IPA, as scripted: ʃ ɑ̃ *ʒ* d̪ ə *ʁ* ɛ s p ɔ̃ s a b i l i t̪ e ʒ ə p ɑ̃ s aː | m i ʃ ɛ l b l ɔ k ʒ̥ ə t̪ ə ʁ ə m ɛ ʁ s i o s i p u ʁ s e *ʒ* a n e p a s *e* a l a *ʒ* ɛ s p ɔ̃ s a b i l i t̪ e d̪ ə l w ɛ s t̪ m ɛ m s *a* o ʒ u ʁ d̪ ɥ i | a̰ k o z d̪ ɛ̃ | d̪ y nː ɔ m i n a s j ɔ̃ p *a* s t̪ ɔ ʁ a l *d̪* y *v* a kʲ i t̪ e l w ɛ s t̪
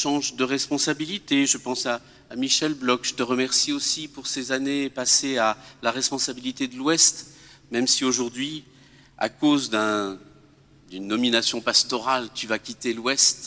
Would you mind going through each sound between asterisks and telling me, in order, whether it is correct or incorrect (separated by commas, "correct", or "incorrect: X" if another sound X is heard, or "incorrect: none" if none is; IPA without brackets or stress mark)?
correct, correct, incorrect: z, correct, incorrect: ʁ, incorrect: i, correct, incorrect: t̪, correct